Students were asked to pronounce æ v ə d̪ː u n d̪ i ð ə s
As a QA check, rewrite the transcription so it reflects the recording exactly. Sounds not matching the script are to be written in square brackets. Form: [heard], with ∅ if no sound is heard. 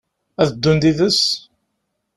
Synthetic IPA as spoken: æ [ð] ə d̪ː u n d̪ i ð ə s